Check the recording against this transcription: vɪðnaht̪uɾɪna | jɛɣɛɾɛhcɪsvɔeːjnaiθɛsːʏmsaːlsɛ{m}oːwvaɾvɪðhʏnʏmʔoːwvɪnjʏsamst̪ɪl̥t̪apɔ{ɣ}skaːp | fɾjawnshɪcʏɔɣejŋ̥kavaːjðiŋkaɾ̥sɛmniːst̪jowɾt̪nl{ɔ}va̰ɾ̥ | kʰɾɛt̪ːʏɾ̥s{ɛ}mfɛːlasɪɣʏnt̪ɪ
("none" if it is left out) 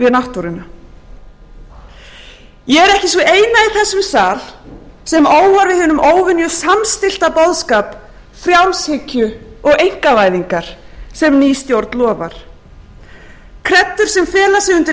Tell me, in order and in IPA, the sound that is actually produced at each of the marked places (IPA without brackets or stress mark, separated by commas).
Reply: m, ð, ɔː, ɛ